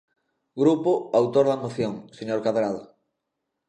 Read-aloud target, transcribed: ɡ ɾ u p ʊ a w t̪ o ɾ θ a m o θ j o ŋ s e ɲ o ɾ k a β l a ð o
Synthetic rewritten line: ɡ ɾ u p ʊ a w t̪ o ɾ ð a m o θ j o ŋ s e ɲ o ɾ k a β ɾ a ð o